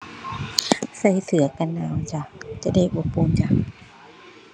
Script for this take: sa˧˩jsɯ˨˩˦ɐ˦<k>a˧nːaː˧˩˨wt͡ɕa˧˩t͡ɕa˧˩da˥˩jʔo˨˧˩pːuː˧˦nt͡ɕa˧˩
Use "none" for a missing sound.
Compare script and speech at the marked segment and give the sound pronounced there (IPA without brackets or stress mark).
k